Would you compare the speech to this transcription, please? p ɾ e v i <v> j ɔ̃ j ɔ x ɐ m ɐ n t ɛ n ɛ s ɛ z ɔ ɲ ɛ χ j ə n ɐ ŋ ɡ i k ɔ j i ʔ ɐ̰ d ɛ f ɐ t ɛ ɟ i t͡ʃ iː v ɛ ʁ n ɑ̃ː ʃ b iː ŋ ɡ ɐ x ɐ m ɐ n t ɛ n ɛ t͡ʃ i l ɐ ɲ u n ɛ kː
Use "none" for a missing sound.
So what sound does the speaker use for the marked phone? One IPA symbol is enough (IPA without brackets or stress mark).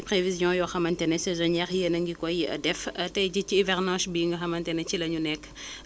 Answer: z